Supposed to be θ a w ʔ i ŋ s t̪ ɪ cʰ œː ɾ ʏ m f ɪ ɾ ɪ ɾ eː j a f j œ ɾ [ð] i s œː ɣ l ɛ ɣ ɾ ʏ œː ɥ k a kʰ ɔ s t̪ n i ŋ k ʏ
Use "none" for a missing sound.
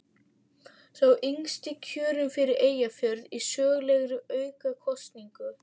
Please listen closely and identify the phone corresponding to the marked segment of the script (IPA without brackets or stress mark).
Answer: ð